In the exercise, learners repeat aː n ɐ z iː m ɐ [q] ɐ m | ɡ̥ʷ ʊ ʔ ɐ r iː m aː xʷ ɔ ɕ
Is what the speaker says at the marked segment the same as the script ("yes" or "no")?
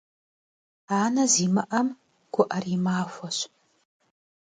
no